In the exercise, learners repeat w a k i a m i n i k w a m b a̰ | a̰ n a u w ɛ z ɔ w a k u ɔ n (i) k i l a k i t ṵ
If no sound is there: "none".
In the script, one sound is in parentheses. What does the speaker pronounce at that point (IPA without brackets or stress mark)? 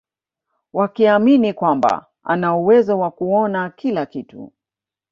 a